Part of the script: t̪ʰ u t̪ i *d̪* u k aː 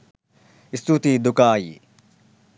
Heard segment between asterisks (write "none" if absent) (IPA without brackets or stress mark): d̪